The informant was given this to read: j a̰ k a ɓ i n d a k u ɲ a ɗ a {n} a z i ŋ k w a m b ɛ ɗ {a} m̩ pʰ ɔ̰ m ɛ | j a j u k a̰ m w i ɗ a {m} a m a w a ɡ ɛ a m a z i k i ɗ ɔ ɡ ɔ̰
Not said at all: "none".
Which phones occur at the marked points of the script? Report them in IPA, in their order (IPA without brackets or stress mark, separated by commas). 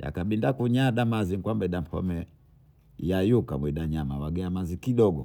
m, a, ɲ